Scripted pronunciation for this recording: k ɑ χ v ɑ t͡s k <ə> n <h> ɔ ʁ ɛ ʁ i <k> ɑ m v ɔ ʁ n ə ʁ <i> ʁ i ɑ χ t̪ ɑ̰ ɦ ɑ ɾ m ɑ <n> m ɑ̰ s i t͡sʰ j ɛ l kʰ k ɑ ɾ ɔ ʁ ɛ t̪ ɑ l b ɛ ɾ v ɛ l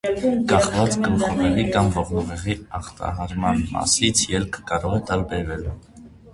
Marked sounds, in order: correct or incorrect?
correct, incorrect, correct, incorrect, correct

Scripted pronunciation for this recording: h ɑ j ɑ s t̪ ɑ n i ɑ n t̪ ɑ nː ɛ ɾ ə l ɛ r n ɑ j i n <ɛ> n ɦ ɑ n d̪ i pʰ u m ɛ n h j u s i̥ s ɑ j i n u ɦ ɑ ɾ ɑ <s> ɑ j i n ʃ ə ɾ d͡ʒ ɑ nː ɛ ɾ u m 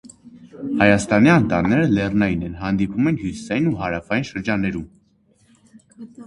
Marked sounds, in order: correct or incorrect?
correct, incorrect

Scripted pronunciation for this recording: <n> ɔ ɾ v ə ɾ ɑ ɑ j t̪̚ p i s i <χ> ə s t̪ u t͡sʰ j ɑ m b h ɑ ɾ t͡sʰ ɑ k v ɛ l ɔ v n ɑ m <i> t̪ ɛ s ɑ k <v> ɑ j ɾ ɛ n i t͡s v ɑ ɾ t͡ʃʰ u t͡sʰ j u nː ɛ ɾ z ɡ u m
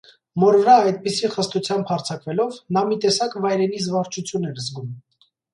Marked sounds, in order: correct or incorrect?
incorrect, correct, correct, correct

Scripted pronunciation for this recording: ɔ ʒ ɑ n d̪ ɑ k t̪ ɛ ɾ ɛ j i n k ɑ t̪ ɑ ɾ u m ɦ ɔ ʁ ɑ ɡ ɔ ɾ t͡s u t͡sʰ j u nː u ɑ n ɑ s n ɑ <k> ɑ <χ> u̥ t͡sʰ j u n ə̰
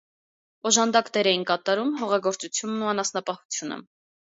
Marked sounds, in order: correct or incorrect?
incorrect, incorrect

